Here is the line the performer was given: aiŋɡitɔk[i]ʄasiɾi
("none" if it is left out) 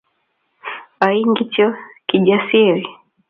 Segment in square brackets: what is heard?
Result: i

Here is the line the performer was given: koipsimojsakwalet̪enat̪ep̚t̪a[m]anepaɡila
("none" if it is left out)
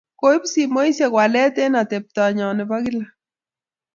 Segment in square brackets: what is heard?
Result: ɲ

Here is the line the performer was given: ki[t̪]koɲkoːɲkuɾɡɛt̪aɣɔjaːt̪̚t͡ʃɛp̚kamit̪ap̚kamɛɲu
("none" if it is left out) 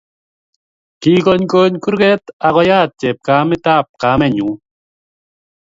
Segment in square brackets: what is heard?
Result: none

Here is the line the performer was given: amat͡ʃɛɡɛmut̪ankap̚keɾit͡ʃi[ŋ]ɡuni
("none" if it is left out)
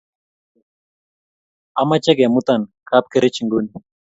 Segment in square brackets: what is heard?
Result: ŋ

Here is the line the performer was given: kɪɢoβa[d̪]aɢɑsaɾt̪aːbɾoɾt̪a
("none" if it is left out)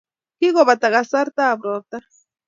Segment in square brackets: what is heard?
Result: t̪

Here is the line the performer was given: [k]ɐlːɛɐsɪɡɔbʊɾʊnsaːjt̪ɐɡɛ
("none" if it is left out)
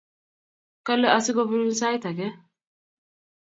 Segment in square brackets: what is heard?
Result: k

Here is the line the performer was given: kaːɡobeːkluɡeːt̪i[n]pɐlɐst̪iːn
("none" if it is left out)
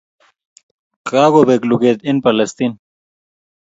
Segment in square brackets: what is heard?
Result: n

